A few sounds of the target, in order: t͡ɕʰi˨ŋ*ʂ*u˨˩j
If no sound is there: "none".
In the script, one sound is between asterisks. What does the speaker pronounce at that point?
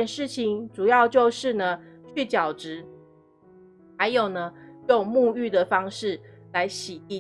ʈ͡ʂ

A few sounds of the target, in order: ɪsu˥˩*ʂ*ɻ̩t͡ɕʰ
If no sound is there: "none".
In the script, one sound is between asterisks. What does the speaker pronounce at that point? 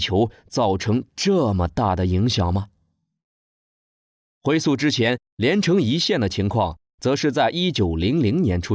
ʈ͡ʂ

